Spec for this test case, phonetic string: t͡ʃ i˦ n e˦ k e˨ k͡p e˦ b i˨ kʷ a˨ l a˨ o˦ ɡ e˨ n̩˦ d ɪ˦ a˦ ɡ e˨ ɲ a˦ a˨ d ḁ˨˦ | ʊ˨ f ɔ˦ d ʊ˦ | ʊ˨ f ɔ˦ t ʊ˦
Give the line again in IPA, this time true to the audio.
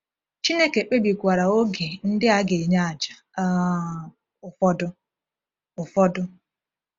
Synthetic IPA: t͡ʃ i˦ n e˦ k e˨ k͡p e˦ b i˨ kʷ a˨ ɾ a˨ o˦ ɡ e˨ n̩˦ d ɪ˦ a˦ ɡ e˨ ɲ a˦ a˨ d͡ʒ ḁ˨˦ | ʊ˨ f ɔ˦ d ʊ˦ | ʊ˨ f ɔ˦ d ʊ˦